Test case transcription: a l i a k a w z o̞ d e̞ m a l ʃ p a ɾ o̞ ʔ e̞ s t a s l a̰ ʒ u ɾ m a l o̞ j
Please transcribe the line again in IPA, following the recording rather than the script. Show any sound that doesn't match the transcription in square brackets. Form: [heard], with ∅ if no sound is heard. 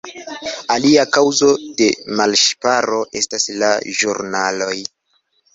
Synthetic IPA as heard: a l i a k a w z o̞ d e̞ m a l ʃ p a ɾ o̞ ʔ e̞ s t a s l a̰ ʒ u ɾ [n] a l o̞ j